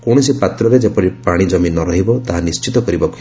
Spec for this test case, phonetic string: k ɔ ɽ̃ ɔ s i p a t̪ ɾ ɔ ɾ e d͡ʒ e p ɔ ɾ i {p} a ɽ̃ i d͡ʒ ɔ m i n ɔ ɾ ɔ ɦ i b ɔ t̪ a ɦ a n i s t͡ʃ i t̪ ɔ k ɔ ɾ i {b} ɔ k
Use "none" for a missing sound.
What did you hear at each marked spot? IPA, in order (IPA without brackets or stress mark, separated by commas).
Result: p, b